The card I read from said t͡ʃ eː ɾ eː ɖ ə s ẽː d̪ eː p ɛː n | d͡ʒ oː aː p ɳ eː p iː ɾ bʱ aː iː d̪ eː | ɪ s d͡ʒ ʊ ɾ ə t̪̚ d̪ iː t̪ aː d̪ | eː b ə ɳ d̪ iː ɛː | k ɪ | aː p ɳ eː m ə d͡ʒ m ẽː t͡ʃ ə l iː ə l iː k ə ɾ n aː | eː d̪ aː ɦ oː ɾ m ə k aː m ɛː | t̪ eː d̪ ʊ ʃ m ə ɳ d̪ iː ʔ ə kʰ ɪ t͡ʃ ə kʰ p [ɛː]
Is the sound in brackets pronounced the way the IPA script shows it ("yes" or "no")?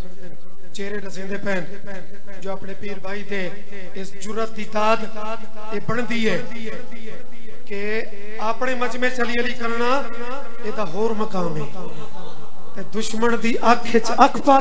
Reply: no